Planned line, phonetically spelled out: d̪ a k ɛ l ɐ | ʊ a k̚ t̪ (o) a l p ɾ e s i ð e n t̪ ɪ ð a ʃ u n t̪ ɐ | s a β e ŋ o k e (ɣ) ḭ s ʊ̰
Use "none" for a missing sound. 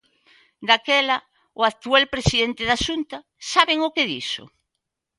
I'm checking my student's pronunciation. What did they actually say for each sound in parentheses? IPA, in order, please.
u, ð

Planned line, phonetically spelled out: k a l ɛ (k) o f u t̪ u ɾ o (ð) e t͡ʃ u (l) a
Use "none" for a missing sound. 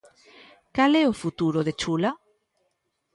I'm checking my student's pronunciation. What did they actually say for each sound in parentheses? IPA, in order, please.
none, ð, l

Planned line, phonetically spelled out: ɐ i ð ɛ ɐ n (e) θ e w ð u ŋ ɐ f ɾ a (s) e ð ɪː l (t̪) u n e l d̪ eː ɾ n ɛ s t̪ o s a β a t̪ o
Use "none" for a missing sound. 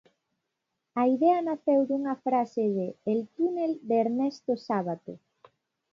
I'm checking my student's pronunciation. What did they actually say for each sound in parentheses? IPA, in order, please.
a, s, t̪

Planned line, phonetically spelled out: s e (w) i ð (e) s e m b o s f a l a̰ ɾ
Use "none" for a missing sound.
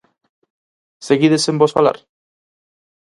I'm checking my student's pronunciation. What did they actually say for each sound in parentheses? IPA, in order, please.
ɣ, e

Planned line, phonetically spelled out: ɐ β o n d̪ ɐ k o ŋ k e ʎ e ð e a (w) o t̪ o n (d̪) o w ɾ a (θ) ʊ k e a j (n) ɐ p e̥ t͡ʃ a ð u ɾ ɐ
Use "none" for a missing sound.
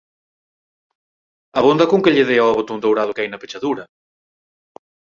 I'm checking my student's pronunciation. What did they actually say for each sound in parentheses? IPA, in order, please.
β, d̪, ð, n

